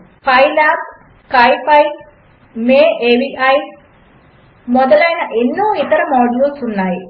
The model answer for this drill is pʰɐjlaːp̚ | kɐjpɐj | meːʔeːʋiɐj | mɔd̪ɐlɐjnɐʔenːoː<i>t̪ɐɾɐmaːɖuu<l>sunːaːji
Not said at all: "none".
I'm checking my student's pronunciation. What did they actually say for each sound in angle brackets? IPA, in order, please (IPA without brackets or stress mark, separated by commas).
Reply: i, l